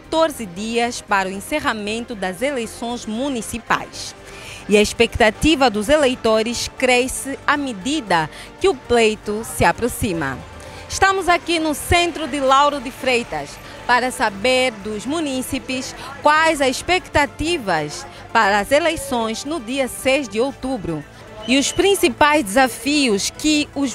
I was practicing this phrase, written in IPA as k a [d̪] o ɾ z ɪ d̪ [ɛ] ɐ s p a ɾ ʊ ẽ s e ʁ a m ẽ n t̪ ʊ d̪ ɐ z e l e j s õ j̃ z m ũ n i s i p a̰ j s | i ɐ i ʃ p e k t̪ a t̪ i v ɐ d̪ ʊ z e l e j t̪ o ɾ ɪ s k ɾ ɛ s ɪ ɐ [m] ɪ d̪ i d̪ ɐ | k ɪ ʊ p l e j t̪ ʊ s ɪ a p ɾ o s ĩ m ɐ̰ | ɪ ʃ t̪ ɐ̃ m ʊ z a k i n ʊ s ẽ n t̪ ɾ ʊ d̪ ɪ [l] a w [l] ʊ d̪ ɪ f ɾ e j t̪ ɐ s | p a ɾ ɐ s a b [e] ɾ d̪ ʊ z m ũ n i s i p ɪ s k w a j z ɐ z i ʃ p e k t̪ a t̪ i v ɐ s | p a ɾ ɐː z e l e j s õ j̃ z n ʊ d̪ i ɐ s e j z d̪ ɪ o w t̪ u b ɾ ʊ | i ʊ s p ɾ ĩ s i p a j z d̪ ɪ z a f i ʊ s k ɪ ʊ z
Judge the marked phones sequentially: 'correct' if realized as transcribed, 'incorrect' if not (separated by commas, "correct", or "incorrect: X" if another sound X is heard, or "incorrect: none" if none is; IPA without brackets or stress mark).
incorrect: t̪, incorrect: i, correct, correct, incorrect: ɾ, correct